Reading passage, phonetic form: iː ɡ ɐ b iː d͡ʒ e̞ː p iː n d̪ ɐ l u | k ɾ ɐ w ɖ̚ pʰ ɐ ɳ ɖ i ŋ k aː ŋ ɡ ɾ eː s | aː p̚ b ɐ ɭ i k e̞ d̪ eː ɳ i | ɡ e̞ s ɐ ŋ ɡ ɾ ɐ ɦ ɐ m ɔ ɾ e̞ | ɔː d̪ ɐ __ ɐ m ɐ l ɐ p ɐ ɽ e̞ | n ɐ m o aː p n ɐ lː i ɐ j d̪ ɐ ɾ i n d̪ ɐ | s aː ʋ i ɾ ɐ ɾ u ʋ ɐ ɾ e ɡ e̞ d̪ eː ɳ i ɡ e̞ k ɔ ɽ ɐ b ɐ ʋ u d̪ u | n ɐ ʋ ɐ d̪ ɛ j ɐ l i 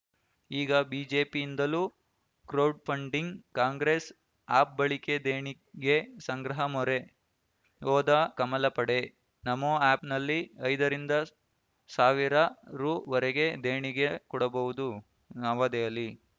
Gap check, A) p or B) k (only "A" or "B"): B